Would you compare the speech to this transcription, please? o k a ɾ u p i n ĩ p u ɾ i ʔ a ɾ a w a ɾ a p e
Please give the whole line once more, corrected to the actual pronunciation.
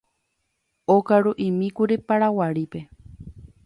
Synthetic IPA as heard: o k a ɾ u ʔ i m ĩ k u ɾ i p a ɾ a w a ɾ i p e